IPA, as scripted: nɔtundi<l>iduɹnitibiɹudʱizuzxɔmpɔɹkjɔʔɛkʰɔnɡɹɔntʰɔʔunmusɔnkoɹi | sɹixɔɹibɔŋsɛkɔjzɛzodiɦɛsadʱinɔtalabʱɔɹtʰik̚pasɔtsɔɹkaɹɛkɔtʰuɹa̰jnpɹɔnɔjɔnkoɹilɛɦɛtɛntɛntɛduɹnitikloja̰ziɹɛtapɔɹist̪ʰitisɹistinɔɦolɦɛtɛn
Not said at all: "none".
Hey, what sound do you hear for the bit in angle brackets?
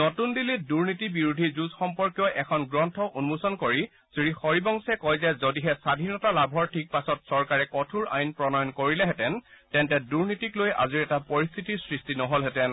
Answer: l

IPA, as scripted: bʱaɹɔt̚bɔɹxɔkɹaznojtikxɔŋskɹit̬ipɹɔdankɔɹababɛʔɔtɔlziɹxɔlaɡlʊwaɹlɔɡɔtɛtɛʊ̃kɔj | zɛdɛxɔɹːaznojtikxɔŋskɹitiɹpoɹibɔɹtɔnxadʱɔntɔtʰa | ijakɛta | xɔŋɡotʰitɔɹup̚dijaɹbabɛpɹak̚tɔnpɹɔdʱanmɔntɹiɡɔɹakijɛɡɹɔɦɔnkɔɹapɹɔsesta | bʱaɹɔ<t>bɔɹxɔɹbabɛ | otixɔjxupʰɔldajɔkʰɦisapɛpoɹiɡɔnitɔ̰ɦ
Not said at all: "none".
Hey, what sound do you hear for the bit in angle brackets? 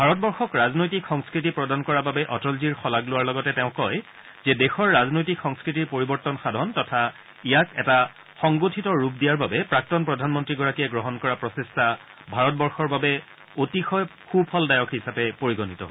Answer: t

